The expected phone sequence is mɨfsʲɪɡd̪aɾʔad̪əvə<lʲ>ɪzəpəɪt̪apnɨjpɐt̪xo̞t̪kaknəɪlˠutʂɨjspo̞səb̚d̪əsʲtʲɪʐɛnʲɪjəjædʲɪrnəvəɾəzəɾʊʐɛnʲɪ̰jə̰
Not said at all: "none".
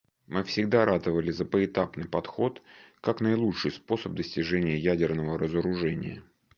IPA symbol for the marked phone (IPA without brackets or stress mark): lʲ